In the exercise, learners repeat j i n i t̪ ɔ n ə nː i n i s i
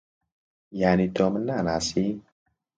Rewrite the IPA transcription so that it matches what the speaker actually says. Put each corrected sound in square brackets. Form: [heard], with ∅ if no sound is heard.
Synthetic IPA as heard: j [a] n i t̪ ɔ [m] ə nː [a] n [a] s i